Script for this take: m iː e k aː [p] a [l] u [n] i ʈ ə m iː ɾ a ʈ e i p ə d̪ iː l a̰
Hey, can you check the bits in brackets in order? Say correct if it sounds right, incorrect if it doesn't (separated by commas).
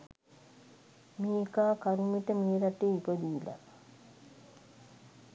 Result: incorrect, incorrect, incorrect